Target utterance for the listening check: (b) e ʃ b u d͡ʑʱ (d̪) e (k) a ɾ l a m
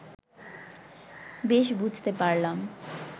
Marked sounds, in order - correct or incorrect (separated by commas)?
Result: correct, incorrect, incorrect